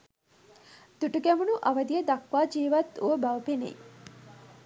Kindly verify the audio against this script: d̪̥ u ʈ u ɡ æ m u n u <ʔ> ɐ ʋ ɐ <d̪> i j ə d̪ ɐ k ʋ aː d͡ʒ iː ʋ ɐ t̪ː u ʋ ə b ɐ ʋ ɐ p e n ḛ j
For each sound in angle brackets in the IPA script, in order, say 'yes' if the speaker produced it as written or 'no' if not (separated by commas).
yes, yes